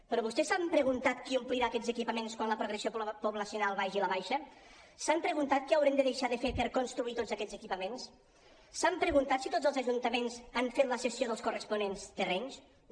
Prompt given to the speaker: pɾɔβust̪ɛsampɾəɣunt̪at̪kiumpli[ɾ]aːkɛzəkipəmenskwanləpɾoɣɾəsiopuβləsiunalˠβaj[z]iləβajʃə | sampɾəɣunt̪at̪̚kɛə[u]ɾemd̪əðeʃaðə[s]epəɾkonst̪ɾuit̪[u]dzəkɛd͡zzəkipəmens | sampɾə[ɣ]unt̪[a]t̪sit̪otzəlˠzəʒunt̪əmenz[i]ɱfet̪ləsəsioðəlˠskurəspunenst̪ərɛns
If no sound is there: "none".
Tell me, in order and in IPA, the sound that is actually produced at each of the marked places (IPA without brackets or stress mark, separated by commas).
ɾ, ʒ, w, f, o, ɣ, a, a